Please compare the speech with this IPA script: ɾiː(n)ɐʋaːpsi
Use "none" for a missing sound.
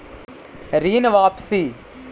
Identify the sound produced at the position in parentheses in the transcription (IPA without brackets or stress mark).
n